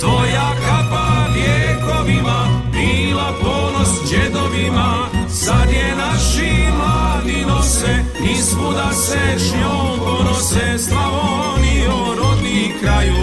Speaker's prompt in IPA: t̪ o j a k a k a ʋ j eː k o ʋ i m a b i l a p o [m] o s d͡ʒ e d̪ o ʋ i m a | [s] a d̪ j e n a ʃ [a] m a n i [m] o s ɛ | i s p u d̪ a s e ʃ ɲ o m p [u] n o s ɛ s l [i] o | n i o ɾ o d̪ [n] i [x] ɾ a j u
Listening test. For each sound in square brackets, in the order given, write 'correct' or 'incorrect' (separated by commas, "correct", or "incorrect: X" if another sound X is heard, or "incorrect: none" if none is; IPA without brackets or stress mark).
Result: incorrect: n, correct, incorrect: i, incorrect: n, incorrect: o, incorrect: a, correct, incorrect: k